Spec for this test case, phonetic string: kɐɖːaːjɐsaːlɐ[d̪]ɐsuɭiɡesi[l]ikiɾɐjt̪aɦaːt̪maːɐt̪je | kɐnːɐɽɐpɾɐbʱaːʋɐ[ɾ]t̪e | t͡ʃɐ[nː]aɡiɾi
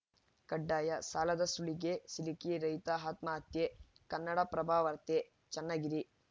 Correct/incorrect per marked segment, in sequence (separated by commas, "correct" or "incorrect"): correct, correct, correct, correct